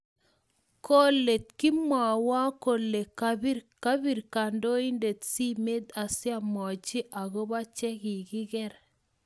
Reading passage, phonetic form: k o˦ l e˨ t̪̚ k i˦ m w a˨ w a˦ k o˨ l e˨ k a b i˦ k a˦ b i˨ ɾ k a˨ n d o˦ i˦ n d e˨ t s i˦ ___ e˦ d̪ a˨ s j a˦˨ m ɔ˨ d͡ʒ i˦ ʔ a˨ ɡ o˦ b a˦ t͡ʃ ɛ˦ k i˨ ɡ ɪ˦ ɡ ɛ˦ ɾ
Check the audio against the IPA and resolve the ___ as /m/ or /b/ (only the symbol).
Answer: m